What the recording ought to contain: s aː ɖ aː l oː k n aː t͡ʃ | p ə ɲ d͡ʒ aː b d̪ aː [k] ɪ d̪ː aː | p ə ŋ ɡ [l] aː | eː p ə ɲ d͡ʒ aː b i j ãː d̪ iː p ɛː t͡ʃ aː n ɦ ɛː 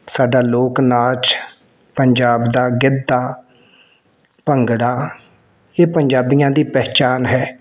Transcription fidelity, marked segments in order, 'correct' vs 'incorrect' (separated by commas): incorrect, incorrect